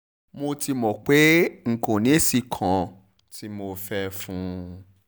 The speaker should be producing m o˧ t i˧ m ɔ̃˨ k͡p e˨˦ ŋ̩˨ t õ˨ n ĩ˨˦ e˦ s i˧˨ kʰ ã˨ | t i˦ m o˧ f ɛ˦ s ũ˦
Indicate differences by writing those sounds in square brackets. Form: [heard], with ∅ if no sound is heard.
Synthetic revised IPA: m o˧ t i˧ m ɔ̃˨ k͡p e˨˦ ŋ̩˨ [k] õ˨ n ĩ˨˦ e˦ s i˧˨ kʰ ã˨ | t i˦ m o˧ f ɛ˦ [f] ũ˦